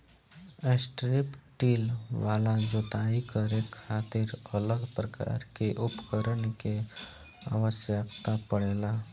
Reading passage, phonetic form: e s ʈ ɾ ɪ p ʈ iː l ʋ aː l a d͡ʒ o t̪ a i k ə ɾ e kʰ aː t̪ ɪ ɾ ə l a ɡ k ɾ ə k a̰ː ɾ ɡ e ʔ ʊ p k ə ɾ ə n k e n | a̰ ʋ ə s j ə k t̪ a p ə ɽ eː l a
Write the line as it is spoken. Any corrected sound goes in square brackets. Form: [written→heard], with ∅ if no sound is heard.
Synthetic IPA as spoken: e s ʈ ɾ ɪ p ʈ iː l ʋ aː l a d͡ʒ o t̪ a i k ə ɾ e kʰ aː t̪ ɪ ɾ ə l [a→ə] ɡ [k→p] ɾ ə k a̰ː ɾ [ɡ→k] e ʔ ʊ p k ə ɾ ə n k e [n→∅] | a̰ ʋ ə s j ə k t̪ a p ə ɽ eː l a